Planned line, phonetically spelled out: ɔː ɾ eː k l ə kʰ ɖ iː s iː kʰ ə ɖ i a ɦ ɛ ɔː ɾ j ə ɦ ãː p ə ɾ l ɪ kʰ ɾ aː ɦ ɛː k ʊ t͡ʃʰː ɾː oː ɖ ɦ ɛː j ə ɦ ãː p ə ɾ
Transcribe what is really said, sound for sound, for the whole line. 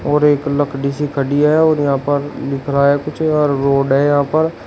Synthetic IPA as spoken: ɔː ɾ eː k l ə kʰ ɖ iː s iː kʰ ə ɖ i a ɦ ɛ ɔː ɾ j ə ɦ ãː p ə ɾ l ɪ kʰ ɾ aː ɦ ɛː k ʊ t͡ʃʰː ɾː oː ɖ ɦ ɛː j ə ɦ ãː p ə ɾ